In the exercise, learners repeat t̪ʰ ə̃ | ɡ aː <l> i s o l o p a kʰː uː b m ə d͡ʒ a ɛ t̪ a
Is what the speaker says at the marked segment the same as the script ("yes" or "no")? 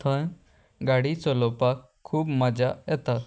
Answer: no